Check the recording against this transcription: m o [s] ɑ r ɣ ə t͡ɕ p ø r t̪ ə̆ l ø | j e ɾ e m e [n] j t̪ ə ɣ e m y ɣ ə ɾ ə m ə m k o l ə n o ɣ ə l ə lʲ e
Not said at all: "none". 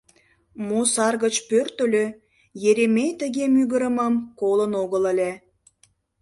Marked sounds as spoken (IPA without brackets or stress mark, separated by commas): s, none